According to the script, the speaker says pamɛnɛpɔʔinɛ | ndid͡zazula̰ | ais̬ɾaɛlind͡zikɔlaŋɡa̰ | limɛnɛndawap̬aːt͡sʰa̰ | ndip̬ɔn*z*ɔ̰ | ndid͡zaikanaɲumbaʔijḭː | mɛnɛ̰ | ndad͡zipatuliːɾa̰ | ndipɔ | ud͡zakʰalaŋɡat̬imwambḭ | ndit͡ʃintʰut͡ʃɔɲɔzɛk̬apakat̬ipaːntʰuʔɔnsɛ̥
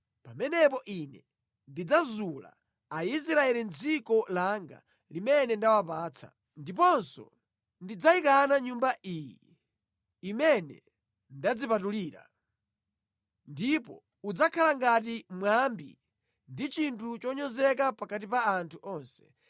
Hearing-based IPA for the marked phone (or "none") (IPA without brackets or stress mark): s